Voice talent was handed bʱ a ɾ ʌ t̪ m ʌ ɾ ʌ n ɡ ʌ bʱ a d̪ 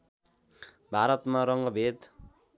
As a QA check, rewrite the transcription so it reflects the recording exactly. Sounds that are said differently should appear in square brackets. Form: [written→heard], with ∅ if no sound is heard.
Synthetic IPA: bʱ a ɾ ʌ t̪ m [ʌ→a] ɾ ʌ [n→ŋ] ɡ ʌ bʱ [a→e] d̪